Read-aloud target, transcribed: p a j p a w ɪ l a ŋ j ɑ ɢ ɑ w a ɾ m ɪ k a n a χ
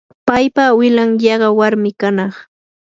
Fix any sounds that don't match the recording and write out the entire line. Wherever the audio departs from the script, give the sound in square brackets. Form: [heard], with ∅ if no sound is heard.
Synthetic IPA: p a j p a w ɪ l a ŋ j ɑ ɢ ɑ w a ɾ m ɪ k a n [ɑ] χ

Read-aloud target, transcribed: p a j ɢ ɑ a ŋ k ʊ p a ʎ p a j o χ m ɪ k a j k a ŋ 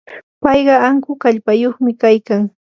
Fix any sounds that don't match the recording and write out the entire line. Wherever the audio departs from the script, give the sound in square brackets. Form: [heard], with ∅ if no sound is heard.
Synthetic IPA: p [ɑ] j ɢ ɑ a ŋ k ʊ [k] a ʎ p a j o χ m ɪ k a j k a ŋ

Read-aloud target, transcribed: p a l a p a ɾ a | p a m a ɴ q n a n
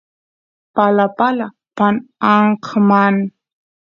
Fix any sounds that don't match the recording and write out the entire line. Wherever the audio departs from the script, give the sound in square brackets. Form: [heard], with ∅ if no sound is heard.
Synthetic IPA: p a l a p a [l] a | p a [n] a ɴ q [m] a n

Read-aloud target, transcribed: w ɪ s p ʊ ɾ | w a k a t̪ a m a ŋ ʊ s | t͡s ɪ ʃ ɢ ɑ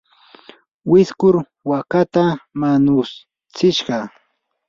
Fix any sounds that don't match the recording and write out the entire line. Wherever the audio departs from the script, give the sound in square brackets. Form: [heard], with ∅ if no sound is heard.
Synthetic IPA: w ɪ s [k] ʊ ɾ | w a k a t̪ a m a [n] ʊ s | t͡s ɪ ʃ ɢ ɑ

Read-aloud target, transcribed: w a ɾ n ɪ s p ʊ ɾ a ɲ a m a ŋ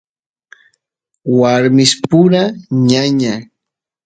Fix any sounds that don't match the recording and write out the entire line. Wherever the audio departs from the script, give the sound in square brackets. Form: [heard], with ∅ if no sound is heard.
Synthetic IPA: w a ɾ [m] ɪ s p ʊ ɾ a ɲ a [ɲ] a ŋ

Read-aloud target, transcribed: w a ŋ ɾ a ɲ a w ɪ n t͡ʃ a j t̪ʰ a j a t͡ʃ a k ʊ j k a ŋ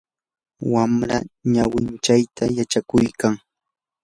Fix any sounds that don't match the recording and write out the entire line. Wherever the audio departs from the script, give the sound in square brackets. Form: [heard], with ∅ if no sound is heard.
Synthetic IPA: w a [m] ɾ a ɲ a w ɪ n t͡ʃ a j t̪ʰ a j a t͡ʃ a k ʊ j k a ŋ

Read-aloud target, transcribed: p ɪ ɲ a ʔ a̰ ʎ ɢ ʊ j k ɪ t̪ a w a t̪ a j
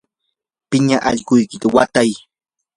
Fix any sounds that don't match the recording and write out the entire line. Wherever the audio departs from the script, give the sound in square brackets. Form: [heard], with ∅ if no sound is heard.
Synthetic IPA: p ɪ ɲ a ʔ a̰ ʎ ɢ ʊ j k ɪ t̪ a w a t̪ a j

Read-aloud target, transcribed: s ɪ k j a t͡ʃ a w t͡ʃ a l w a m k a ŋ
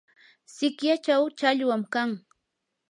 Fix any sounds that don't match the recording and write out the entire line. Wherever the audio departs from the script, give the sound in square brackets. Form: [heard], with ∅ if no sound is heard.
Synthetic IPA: s ɪ k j a t͡ʃ a w t͡ʃ a [ʎ] w a m k a ŋ

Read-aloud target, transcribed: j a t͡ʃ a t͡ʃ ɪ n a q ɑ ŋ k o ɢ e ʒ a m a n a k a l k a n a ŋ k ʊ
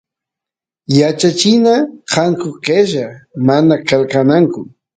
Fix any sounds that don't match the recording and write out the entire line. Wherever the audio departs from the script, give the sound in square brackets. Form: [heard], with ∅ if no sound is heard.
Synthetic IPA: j a t͡ʃ a t͡ʃ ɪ n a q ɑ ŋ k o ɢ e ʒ a m a n a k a l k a n a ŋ k ʊ

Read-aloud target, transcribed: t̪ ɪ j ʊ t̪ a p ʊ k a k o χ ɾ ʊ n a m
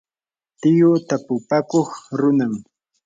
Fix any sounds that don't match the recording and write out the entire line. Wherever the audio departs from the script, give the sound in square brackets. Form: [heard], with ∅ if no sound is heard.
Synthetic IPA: t̪ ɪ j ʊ t̪ a p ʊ [p] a k o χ ɾ ʊ n a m

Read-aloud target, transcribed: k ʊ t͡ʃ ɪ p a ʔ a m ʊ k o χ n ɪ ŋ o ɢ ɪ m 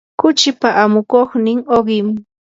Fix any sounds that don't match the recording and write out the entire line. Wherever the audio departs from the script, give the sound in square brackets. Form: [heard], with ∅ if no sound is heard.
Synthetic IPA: k ʊ t͡ʃ ɪ p a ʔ a m ʊ k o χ n ɪ ŋ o ɢ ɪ m

